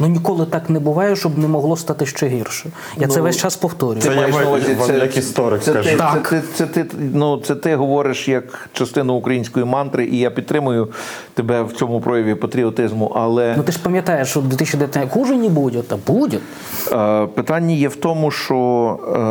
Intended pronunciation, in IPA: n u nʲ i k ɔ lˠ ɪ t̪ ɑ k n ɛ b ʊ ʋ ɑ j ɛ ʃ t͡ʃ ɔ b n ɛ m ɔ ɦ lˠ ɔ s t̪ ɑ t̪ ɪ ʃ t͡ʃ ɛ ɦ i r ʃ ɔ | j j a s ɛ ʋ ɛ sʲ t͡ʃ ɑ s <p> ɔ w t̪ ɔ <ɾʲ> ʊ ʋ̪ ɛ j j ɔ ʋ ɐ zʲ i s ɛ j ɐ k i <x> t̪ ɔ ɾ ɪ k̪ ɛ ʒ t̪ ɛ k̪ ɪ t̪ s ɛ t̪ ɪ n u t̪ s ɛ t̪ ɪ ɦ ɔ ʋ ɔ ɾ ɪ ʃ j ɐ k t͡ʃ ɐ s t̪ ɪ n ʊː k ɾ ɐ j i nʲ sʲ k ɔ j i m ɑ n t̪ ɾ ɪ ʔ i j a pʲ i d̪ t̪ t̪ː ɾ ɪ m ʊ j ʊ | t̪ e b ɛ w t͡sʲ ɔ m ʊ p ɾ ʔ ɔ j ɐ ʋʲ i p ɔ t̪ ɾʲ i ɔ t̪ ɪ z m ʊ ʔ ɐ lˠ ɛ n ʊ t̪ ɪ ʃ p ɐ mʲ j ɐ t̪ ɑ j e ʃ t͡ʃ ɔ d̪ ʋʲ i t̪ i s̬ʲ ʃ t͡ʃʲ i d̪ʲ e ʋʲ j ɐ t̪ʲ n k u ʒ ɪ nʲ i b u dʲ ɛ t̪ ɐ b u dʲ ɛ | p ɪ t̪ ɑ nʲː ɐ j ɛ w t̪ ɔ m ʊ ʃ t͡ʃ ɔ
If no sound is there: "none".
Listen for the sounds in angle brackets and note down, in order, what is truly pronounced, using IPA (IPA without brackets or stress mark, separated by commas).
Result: p, ɾʲ, s